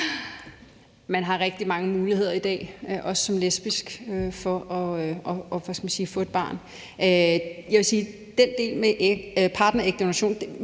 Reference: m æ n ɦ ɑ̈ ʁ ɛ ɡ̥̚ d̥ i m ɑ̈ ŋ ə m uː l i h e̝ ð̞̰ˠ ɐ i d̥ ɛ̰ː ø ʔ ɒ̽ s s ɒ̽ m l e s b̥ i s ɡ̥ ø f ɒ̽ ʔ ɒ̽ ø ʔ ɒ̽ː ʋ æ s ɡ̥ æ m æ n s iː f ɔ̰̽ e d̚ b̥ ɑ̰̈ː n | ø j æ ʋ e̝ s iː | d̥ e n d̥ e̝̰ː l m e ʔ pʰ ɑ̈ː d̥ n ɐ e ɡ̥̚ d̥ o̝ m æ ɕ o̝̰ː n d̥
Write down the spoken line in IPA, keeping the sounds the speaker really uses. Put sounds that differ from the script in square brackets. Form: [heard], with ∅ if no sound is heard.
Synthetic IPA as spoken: m æ n ɦ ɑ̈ ʁ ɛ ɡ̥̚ d̥ i m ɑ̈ ŋ ə m uː l i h e̝ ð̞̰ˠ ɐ i d̥ ɛ̰ː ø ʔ ɒ̽ s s ɒ̽ m l e s b̥ i s ɡ̥ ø f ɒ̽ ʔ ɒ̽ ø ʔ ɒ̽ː ʋ æ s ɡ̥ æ m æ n s iː f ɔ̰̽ e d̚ b̥ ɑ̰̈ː n | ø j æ ʋ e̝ s iː | d̥ e n d̥ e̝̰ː l m e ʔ pʰ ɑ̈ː d̥ n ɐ e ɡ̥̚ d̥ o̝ [n] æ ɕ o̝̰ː n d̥